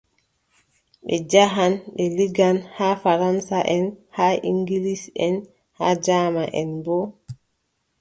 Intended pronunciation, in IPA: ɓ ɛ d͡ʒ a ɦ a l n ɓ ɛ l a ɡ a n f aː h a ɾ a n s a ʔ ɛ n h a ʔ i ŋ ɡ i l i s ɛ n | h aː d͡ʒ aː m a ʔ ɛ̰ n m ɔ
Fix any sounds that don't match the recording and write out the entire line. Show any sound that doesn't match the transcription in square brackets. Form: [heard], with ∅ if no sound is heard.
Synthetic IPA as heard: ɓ ɛ d͡ʒ a ɦ a [∅] n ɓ ɛ l [i] ɡ a n [h] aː [f] a ɾ a n s a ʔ ɛ n h a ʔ i ŋ ɡ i l i s ɛ n | h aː d͡ʒ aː m a ʔ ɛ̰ n [b] ɔ